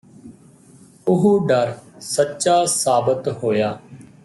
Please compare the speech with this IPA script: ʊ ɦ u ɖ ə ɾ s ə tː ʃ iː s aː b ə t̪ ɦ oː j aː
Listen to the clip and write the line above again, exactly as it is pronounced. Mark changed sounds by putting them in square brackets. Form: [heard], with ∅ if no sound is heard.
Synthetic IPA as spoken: ʊ ɦ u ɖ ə ɾ s ə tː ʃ [aː] s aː b ə t̪ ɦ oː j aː

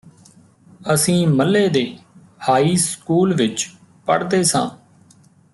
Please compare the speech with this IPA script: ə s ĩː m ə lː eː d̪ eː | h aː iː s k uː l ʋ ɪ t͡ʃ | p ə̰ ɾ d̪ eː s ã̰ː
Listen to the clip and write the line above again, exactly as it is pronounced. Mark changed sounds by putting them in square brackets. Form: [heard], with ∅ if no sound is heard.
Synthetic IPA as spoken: ə s ĩː m ə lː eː d̪ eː | h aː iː s k uː l ʋ ɪ t͡ʃ | p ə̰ [ɽ] d̪ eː s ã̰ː

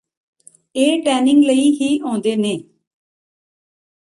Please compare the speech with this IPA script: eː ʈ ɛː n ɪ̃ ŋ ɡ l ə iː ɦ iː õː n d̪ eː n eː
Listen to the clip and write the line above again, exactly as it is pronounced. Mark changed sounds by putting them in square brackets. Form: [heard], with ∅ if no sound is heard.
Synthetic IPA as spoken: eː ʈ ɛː n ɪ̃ ŋ ɡ l ə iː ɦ iː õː n d̪ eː n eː

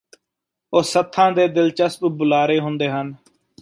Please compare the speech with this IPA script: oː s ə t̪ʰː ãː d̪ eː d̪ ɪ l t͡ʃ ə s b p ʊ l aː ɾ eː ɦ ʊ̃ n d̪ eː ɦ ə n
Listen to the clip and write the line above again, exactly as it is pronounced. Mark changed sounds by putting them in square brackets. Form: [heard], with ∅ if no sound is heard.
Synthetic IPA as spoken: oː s ə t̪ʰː ãː d̪ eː d̪ ɪ l t͡ʃ ə s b [b] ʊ l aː ɾ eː ɦ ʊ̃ n d̪ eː ɦ ə n

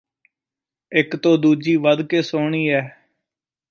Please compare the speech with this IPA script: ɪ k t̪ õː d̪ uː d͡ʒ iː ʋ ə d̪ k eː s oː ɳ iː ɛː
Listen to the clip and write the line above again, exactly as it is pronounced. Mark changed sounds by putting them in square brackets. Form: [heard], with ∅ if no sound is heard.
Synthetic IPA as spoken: ɪ k t̪ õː d̪ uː d͡ʒ iː ʋ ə d̪ k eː s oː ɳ iː ɛː

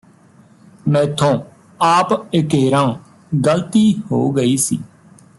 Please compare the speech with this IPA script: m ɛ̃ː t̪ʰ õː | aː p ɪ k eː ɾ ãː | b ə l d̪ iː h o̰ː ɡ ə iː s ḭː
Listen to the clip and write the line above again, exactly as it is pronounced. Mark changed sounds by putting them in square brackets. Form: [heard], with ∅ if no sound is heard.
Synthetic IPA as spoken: m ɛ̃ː t̪ʰ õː | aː p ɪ k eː ɾ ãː | [ɡ] ə l [t̪] iː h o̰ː ɡ ə iː s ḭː

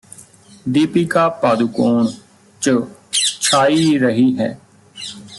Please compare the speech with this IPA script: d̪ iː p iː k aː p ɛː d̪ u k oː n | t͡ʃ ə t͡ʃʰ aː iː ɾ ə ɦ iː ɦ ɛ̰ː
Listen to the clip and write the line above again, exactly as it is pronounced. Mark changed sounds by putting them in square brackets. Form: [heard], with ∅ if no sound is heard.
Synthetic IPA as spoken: d̪ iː p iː k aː p [aː] d̪ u k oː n | t͡ʃ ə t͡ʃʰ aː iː ɾ ə ɦ iː ɦ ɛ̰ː

